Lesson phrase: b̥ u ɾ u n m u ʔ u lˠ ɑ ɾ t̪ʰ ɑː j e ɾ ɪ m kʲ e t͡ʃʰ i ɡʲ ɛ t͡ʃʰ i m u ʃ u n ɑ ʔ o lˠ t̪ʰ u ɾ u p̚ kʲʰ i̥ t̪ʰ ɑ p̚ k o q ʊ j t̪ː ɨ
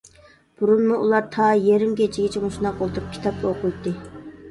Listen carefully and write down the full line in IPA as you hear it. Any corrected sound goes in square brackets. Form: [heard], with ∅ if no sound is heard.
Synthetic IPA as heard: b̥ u ɾ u n m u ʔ u lˠ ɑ ɾ t̪ʰ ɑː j e ɾ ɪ m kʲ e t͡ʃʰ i ɡʲ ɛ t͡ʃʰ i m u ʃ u n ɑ [q] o lˠ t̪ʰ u ɾ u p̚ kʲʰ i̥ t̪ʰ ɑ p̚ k o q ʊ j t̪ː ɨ